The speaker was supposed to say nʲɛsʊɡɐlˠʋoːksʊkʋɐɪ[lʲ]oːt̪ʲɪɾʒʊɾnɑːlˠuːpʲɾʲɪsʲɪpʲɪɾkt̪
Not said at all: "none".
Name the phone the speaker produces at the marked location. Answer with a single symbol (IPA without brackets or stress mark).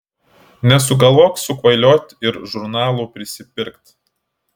lʲ